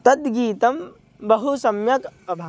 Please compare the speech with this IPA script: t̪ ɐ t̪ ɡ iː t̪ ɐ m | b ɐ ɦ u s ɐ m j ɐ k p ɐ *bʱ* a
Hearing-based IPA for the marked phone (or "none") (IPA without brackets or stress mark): bʱ